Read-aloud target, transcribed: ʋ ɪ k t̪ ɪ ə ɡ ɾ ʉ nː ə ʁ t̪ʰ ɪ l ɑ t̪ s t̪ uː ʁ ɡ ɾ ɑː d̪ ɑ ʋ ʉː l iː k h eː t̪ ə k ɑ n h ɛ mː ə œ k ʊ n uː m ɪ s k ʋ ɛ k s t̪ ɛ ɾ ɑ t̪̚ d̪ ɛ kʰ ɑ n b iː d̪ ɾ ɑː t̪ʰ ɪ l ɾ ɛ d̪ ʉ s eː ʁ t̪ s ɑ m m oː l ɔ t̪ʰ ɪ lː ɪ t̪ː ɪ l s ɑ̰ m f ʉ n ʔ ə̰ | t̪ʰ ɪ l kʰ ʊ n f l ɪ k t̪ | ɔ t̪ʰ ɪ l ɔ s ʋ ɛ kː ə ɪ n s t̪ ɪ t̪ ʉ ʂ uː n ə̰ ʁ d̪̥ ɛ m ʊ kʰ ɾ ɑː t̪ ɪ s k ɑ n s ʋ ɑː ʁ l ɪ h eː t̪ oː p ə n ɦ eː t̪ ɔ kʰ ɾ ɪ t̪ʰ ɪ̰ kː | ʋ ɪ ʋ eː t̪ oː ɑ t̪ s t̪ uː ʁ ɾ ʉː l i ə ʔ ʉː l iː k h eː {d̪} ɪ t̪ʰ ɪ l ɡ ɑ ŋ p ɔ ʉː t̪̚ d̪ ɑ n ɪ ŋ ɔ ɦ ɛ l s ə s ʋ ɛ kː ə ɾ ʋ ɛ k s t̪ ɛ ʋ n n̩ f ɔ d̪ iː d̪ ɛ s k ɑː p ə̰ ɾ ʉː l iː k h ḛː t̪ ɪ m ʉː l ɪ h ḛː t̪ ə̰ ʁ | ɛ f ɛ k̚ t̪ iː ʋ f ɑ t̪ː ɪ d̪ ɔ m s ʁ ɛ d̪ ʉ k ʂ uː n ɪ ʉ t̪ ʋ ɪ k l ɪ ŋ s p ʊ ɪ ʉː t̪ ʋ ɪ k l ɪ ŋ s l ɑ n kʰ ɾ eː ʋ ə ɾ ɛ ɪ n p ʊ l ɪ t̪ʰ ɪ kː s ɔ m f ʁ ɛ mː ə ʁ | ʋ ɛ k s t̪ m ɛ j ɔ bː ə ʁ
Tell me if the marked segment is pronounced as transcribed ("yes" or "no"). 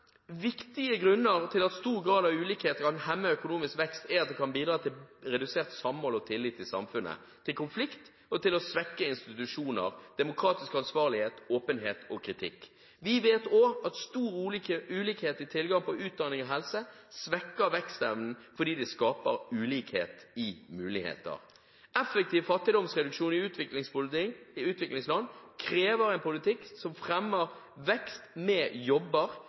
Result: no